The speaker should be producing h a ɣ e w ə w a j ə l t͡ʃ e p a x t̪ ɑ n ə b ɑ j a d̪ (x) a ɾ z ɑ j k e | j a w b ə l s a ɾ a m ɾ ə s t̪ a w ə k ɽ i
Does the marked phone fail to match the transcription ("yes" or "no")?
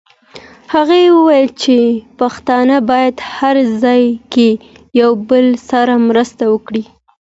yes